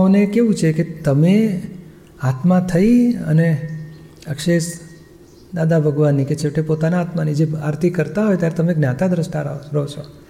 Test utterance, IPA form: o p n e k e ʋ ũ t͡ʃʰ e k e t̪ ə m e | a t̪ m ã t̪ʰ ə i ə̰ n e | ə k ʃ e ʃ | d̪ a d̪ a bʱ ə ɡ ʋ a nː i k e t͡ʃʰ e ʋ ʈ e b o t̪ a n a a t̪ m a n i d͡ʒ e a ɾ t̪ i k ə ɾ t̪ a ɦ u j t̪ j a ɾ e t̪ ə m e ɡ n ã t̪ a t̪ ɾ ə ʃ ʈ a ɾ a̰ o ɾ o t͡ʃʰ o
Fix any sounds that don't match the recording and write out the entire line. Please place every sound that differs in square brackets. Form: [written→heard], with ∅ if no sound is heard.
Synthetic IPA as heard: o [p→∅] n e k e ʋ ũ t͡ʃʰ e k e t̪ ə m e | a t̪ m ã t̪ʰ ə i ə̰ n e | ə k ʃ e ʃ | d̪ a d̪ a bʱ ə ɡ ʋ a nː i k e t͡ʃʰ e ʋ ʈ e [b→p] o t̪ a n a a t̪ m a n i d͡ʒ e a ɾ t̪ i k ə ɾ t̪ a ɦ [u→o] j t̪ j a ɾ e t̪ ə m e ɡ n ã t̪ a [t̪→d̪] ɾ ə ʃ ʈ a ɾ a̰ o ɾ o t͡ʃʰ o